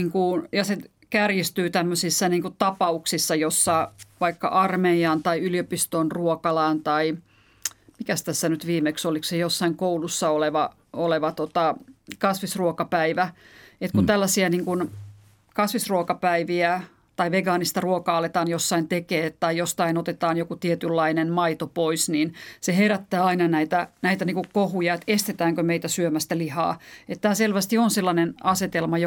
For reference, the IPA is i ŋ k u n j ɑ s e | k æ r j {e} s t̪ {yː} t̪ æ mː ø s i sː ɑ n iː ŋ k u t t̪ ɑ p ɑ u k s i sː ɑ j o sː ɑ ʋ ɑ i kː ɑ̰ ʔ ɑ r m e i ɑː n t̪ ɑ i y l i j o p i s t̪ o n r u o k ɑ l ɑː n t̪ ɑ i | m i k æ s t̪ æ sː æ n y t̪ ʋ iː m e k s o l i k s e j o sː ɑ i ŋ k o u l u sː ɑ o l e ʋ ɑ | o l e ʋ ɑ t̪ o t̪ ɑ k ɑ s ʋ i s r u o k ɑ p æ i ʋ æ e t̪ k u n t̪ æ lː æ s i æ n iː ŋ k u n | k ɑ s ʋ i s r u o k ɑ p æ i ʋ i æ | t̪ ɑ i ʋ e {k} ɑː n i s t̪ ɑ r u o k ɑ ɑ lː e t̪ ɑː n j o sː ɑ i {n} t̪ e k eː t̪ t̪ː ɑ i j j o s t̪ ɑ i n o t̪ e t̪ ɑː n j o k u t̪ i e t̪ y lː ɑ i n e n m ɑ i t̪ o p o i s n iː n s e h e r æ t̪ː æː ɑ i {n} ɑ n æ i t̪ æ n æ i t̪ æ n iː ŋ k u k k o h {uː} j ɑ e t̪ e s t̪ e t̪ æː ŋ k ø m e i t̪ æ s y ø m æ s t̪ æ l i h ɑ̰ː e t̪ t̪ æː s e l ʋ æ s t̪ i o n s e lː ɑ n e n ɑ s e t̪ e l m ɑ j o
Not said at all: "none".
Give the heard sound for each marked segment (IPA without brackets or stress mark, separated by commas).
i, yː, ɡ, n, n, u